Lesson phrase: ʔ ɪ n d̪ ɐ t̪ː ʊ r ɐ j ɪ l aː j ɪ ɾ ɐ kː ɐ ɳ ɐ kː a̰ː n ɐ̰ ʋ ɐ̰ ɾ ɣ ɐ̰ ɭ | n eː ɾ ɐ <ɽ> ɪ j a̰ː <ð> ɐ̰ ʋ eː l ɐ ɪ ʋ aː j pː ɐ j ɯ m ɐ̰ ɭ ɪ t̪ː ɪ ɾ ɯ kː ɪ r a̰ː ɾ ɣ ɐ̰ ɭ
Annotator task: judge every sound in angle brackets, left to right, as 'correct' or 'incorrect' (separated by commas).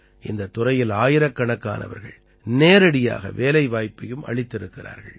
correct, incorrect